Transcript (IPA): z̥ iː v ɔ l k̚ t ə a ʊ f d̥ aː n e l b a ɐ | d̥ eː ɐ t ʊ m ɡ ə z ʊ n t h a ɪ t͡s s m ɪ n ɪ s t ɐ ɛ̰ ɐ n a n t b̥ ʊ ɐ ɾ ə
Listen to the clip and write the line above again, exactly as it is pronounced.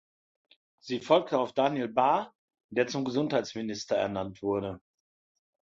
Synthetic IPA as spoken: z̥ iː f ɔ l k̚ t ə a ʊ f d̥ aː n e l b a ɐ | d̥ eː ɐ t͡s ʊ m ɡ ə z ʊ n t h a ɪ t͡s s m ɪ n ɪ s t ɐ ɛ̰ ɐ n a n t v̥ ʊ ɐ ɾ ə